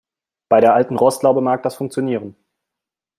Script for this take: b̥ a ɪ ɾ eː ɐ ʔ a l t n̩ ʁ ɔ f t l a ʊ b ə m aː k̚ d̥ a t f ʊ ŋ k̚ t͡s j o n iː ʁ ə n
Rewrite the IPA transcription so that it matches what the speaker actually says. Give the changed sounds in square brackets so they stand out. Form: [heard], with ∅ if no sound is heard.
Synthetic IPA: b̥ a ɪ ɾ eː ɐ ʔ a l t n̩ ʁ ɔ [s] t l a ʊ b ə m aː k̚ d̥ a [s] f ʊ ŋ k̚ t͡s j o n iː ʁ ə n